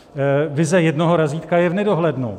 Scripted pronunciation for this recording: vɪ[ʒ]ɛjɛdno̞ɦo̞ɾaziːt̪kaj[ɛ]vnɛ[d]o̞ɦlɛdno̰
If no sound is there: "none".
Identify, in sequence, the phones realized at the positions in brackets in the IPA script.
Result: z, ɛ, d

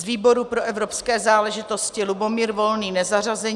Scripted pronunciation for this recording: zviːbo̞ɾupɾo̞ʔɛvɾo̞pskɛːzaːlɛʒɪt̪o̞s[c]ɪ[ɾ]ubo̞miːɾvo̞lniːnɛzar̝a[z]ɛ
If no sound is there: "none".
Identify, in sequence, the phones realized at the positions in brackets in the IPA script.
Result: c, l, z

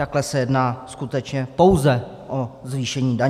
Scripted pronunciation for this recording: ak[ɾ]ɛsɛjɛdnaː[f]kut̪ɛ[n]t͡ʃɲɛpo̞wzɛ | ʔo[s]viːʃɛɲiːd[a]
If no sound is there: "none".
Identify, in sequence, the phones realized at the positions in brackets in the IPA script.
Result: l, s, none, z, a

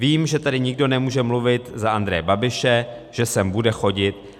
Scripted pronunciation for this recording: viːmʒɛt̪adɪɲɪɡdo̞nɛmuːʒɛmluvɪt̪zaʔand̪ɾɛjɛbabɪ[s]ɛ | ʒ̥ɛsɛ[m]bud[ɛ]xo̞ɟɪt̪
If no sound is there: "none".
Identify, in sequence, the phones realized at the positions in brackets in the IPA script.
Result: ʃ, m, ɛ

